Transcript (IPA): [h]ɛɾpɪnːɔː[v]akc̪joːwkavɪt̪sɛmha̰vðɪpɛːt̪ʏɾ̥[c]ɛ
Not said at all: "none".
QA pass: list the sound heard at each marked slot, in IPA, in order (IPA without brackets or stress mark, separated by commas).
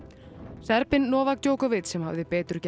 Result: s, v, c